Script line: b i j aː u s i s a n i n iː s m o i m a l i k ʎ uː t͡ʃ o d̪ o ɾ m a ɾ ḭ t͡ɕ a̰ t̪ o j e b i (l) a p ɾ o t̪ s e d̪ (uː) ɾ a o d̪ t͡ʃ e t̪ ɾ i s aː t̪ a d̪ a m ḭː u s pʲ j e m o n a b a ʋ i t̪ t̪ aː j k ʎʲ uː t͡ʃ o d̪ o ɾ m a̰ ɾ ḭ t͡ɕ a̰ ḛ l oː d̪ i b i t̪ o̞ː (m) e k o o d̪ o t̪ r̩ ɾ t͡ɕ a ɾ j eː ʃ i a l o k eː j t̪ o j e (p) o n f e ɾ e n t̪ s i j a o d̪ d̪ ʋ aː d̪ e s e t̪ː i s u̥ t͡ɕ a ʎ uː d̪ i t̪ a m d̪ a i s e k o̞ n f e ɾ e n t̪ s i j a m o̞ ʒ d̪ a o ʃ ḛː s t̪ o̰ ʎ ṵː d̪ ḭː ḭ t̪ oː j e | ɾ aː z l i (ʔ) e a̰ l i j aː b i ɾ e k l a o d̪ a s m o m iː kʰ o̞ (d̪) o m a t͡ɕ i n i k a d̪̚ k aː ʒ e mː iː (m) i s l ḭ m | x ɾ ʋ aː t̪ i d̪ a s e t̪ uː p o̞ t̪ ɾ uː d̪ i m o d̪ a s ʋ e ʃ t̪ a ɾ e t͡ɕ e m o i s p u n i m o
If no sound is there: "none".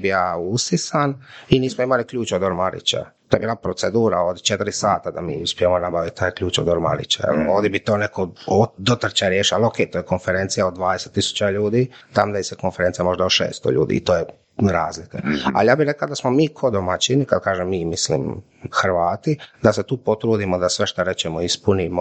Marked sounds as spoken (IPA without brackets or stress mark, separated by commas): l, uː, n, k, k, d̪, m